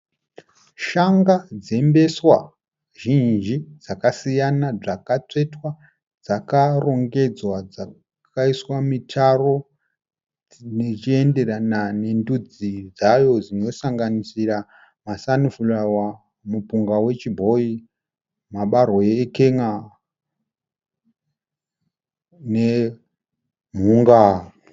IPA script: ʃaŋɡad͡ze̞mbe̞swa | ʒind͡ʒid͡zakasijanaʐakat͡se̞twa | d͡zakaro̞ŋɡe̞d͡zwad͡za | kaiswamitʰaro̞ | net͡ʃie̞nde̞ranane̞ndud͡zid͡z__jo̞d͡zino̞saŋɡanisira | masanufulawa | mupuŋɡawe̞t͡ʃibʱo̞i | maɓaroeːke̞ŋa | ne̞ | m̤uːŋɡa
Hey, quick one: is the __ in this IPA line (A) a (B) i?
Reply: A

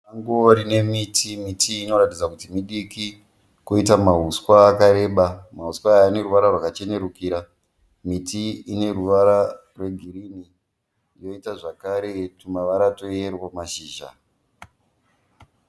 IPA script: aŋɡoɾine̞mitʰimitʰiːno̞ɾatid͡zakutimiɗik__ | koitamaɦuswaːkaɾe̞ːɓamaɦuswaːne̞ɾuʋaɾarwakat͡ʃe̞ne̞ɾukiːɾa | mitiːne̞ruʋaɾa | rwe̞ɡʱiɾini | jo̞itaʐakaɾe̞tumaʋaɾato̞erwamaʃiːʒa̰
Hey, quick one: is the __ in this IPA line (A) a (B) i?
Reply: B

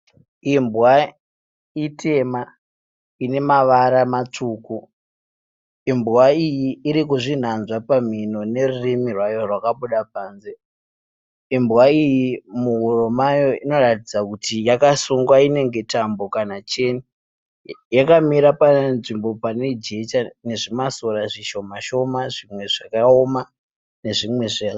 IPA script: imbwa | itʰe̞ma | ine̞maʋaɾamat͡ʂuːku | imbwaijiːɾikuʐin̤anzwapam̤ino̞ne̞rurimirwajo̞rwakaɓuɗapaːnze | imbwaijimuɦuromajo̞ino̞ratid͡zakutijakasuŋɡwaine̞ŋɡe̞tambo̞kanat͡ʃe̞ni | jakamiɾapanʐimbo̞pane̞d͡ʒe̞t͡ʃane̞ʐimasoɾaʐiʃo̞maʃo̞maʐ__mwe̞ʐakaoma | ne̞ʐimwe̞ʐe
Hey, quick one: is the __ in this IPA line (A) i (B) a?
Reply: A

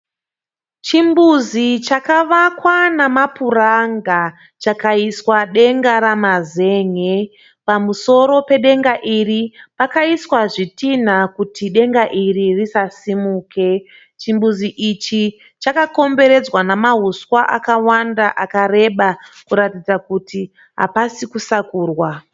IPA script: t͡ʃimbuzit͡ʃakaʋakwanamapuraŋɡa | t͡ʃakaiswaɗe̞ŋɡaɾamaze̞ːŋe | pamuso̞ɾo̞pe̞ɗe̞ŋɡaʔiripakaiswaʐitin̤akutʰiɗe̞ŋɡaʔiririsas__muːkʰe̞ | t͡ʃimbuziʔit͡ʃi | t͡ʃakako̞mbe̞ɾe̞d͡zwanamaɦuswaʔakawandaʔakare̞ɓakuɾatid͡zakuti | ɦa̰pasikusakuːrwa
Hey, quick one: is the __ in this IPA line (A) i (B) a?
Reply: A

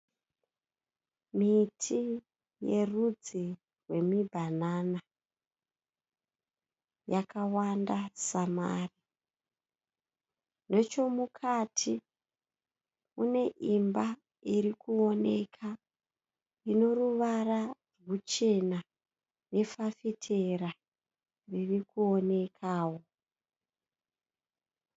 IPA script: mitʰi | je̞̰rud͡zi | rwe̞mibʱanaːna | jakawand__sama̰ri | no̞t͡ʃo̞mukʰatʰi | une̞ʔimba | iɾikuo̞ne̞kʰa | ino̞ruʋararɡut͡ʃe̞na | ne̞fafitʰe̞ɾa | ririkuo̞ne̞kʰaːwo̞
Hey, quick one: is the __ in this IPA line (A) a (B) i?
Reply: A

